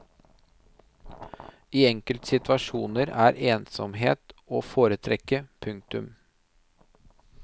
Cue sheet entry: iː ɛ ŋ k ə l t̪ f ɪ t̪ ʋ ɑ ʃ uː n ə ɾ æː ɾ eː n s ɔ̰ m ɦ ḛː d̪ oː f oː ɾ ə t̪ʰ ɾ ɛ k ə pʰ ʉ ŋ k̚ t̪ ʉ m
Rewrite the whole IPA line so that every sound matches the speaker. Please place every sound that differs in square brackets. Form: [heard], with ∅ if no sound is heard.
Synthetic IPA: iː ɛ ŋ k ə l t̪ [s] ɪ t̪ ʋ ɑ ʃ uː n ə ɾ æː ɾ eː n s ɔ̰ m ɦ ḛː [t̪] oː f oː ɾ ə t̪ʰ ɾ ɛ k ə pʰ ʉ ŋ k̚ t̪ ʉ m